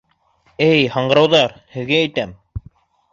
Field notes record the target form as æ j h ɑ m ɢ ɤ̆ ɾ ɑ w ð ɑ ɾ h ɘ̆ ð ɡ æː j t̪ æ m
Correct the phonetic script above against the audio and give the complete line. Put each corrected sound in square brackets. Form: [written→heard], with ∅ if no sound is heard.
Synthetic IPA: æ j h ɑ [m→ɴ] ɢ ɤ̆ ɾ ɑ w ð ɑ ɾ h ɘ̆ ð ɡ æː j t̪ æ m